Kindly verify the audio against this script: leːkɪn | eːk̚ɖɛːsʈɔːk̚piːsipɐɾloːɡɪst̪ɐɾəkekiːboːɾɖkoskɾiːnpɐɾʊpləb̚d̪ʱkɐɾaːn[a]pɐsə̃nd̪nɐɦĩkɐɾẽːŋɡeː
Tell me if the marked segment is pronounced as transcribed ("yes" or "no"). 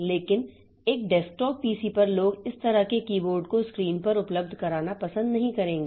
yes